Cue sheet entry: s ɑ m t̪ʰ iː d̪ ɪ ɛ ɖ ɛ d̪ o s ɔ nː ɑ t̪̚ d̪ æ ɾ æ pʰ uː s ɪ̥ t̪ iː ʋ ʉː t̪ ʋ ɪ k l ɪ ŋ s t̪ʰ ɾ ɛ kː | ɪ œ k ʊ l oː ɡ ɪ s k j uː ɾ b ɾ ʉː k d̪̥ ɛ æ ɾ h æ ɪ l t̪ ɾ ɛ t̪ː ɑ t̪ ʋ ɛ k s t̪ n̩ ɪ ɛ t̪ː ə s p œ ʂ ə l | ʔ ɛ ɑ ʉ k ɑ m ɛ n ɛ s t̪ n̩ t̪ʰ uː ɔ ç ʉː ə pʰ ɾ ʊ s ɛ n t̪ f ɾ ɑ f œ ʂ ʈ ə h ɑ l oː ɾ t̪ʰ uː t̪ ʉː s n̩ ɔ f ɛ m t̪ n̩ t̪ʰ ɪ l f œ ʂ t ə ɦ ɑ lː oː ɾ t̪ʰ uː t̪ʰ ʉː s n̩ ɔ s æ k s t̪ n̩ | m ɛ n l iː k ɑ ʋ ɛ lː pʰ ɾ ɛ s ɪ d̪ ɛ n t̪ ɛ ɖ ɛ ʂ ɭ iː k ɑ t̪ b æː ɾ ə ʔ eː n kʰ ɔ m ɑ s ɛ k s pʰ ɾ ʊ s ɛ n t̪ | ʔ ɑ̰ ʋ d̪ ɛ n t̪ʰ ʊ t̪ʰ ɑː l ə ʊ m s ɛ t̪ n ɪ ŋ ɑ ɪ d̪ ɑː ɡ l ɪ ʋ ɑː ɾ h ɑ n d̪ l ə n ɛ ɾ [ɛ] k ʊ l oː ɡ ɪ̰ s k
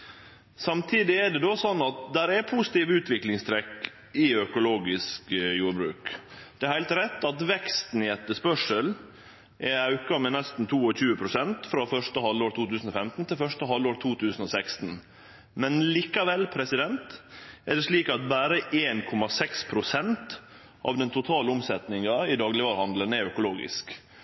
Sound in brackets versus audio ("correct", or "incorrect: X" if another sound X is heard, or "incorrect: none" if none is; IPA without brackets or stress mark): incorrect: œ